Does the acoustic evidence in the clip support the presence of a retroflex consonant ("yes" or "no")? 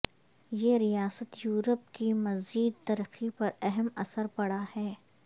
yes